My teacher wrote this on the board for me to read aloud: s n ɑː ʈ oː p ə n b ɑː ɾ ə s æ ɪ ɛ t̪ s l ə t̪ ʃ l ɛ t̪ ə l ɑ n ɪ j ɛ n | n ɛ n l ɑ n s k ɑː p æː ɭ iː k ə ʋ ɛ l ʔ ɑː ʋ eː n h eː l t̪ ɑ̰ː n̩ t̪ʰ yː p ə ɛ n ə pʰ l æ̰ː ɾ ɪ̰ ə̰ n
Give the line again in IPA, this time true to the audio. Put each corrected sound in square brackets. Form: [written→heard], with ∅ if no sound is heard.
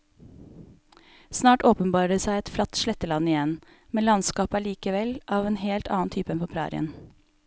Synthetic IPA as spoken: s n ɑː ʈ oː p ə n b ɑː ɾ ə s æ ɪ ɛ t̪ [s→f] l [ə→ɑ] t̪ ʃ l ɛ t̪ ə l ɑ n ɪ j ɛ n | [n→m] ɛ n l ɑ n s k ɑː p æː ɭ iː k ə ʋ ɛ l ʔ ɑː ʋ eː n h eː l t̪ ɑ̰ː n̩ t̪ʰ yː p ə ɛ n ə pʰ [l→ɾ] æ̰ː ɾ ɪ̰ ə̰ n